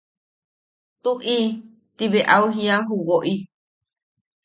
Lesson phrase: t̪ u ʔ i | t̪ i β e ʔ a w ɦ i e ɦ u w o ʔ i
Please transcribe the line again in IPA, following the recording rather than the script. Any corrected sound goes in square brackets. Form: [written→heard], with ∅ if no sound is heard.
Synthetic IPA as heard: t̪ u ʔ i | t̪ i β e ʔ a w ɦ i [e→a] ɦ u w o ʔ i